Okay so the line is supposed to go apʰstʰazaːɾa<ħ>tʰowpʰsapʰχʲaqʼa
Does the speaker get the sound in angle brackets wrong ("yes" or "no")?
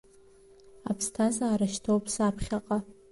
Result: yes